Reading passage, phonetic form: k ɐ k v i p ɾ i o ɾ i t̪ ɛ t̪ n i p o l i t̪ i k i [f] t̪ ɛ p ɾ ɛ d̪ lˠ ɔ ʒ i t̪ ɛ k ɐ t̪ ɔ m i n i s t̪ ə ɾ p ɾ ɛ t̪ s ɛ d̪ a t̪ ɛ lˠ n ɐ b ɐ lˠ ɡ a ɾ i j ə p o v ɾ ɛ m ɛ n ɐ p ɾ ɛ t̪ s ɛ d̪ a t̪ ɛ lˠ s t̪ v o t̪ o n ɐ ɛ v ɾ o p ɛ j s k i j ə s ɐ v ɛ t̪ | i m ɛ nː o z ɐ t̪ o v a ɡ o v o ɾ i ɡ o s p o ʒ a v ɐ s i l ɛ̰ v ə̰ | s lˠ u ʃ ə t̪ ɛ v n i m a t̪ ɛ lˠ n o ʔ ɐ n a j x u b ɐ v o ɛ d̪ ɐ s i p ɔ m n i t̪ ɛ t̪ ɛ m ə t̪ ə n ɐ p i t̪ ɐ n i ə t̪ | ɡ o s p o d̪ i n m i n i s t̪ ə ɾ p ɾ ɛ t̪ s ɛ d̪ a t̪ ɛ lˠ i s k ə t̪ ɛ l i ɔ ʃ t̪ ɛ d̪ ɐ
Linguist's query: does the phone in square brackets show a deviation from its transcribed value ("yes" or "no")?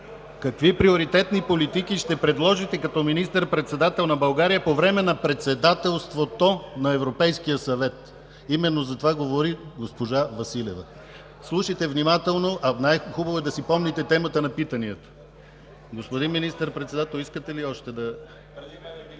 yes